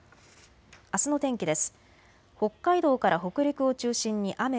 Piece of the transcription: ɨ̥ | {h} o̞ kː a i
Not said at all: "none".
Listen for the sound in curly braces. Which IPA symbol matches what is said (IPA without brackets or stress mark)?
h